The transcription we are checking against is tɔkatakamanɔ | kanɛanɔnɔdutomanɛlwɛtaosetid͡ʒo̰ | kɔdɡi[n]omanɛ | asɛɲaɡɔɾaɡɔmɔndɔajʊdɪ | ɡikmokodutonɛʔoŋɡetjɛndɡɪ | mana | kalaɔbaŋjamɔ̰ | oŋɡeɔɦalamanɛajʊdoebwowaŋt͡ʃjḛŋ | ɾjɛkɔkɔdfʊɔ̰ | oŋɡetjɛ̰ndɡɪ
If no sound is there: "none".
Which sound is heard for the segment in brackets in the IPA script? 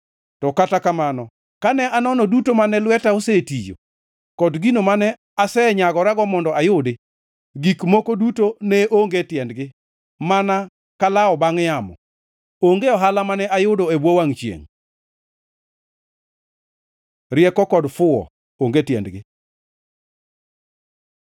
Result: n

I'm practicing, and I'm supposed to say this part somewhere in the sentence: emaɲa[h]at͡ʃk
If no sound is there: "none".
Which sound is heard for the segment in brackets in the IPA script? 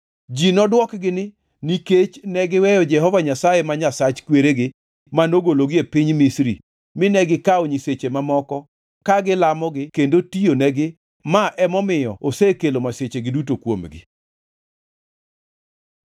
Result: s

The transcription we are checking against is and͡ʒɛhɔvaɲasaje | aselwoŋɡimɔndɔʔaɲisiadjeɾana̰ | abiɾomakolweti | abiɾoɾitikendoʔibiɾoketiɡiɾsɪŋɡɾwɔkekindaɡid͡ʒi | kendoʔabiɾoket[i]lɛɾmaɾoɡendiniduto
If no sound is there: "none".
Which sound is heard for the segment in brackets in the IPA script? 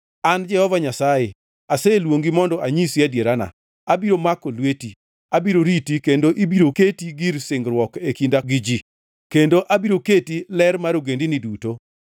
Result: i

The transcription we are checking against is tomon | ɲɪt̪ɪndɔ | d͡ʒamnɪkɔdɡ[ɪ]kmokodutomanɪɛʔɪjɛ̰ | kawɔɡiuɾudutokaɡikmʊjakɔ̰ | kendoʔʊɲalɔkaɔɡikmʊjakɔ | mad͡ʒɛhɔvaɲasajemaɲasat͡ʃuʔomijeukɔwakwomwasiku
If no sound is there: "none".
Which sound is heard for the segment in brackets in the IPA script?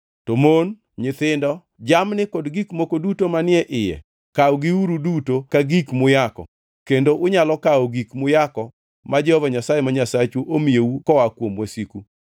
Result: i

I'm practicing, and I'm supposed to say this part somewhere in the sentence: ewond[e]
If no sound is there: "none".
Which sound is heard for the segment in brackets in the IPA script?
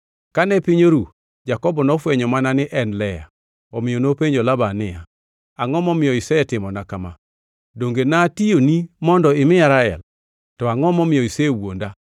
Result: a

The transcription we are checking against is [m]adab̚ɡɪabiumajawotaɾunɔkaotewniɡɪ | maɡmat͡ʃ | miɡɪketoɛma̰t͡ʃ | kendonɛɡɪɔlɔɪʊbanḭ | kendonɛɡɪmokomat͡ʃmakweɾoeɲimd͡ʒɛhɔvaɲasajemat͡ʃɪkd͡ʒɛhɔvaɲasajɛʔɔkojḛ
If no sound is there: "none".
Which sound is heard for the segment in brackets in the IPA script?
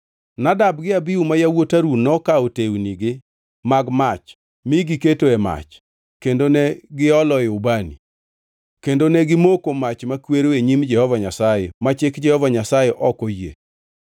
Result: n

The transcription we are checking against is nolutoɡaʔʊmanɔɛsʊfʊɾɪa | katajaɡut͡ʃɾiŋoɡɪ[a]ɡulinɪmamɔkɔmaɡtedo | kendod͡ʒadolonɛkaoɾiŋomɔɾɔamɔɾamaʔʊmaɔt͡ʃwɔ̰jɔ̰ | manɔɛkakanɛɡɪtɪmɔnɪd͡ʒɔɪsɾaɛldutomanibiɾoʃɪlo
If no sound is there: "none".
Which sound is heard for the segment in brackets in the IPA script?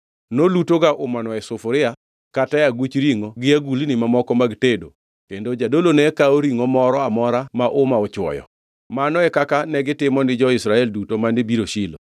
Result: a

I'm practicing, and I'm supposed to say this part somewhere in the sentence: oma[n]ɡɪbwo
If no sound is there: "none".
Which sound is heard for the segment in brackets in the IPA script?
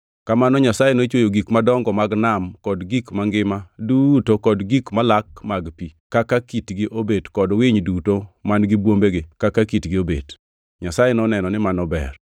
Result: n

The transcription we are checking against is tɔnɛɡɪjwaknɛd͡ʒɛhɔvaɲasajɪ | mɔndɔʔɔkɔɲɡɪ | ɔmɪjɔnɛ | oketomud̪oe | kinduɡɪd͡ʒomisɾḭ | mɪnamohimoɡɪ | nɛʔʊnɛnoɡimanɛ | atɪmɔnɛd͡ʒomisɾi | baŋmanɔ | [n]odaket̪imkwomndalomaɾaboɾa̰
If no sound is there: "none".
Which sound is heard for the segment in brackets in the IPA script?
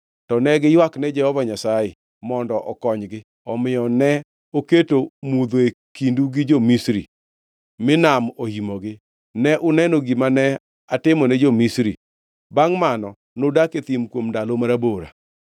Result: n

